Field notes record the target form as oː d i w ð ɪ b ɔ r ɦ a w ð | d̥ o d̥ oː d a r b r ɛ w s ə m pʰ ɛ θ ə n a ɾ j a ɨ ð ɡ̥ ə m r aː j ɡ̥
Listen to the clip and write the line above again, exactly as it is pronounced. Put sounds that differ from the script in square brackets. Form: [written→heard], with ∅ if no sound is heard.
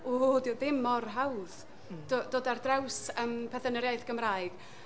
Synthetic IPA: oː d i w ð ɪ [b→m] ɔ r ɦ a w ð | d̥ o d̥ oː d a r [b→d] r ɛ w s ə m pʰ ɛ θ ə n [a→ə] ɾ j a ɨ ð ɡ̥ ə m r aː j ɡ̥